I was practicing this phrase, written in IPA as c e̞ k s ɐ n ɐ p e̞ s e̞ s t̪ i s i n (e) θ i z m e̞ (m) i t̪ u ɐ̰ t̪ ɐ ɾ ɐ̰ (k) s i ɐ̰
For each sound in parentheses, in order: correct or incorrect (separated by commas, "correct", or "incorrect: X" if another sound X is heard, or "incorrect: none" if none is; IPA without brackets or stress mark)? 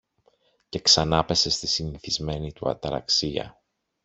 incorrect: i, incorrect: n, correct